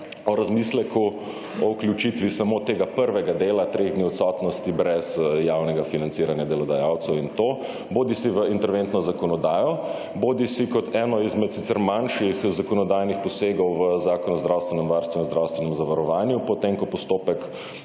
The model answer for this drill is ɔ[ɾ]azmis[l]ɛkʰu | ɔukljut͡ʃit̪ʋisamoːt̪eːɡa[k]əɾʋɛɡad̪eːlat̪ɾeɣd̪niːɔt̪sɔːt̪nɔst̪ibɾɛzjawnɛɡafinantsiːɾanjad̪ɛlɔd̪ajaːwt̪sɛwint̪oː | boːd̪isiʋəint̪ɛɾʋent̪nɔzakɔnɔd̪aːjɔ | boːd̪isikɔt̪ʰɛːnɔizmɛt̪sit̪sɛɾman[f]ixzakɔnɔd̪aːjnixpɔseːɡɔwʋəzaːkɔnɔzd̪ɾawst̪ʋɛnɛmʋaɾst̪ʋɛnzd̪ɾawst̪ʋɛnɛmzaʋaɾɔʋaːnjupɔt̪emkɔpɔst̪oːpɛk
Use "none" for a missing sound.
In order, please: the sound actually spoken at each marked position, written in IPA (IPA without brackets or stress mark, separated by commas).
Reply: ɾ, l, p, ʃ